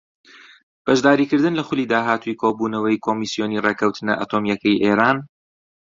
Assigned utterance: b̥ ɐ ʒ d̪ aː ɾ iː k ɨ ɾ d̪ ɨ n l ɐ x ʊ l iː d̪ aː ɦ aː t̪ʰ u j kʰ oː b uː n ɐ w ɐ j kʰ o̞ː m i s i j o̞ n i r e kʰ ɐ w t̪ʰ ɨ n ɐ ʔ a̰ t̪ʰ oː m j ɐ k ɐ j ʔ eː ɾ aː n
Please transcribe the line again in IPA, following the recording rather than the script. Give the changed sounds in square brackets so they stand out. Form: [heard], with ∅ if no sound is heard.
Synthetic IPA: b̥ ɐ ʒ d̪ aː ɾ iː k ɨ ɾ d̪ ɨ n l ɐ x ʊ l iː d̪ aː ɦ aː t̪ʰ u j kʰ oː b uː n ɐ w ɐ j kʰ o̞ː m i s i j o̞ n i r e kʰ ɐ w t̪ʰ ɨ n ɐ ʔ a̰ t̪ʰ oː m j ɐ k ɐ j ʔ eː ɾ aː n